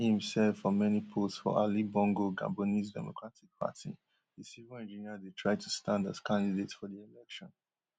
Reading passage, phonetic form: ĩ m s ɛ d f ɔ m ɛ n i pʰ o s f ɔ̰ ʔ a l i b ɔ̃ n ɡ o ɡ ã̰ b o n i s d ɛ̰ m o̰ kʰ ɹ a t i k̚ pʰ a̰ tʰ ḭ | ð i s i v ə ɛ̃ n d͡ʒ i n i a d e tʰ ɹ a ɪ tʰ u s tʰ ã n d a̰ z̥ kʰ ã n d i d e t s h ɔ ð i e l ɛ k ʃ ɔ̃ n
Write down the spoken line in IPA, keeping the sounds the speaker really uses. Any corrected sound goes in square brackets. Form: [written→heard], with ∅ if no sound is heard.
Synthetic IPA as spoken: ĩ m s ɛ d f ɔ m ɛ n i pʰ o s f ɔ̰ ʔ a l i b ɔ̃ [n→ŋ] ɡ o ɡ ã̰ b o n i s d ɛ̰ m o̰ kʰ ɹ a t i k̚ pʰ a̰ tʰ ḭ | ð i s i v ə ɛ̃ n d͡ʒ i n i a d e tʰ ɹ a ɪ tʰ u s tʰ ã n d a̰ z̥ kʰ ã n d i d e t s [h→f] ɔ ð i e l ɛ k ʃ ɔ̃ n